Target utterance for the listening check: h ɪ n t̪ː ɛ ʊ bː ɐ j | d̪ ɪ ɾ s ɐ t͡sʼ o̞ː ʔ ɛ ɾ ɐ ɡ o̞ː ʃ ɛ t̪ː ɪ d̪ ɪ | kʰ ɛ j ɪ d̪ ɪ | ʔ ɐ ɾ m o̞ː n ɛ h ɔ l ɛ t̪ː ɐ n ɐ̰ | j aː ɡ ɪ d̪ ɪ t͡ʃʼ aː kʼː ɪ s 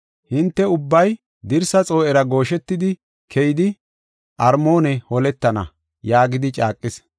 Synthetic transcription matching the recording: h ɪ n t̪ː ɛ ʊ bː ɐ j | d̪ ɪ ɾ s ɐ t͡sʼ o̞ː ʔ ɛ ɾ ɐ ɡ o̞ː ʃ ɛ t̪ː ɪ d̪ ɪ | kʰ ɛ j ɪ d̪ ɪ | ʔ ɐ ɾ m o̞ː n ɛ h ɔ l ɛ t̪ː ɐ n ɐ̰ | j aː ɡ ɪ d̪ ɪ t͡ʃʼ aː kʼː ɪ s